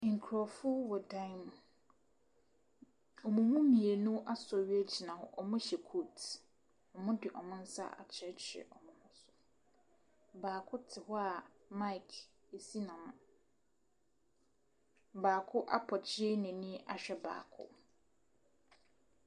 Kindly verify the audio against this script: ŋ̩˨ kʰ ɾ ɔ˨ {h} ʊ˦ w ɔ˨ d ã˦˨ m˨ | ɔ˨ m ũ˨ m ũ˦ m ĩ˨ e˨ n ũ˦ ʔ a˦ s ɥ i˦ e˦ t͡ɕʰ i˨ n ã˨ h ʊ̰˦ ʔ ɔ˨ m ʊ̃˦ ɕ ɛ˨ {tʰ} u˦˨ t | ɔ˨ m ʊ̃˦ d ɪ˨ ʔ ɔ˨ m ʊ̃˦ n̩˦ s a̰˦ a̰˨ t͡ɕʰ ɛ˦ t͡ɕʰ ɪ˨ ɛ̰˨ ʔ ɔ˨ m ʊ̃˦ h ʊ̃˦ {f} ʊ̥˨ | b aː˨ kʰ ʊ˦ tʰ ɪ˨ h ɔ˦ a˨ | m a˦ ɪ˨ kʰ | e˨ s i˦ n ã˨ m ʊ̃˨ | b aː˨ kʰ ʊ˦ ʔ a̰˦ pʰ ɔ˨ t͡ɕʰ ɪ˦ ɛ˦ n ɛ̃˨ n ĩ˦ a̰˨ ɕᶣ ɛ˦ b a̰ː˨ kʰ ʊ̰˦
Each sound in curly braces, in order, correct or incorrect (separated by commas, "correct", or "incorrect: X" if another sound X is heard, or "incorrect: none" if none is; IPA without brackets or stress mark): incorrect: f, incorrect: kʰ, incorrect: s